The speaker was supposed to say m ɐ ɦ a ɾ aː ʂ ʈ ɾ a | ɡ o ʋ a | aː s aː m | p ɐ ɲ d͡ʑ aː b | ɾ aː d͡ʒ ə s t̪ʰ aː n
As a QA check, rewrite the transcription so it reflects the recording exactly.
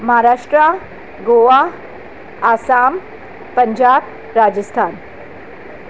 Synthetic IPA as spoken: m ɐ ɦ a ɾ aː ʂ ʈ ɾ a | ɡ o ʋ a | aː s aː m | p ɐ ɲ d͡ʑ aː b | ɾ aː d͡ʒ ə s t̪ʰ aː n